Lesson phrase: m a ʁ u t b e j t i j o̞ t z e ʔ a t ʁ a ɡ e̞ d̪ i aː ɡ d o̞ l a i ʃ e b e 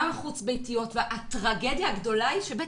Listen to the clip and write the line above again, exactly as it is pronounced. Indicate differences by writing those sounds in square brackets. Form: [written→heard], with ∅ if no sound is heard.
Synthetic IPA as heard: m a [ʁ→χ] u [t→t͡s] b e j t i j o̞ t [z→v] e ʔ a t ʁ a ɡ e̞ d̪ [i→j] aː ɡ d o̞ l a i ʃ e b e